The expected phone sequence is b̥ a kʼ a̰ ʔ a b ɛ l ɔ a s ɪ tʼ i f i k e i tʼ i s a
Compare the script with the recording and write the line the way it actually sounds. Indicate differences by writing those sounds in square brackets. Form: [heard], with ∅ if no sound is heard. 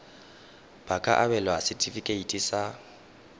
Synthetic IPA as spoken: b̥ a kʼ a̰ ʔ a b ɛ l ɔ a s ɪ tʼ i f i [kʼ] e i tʼ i s a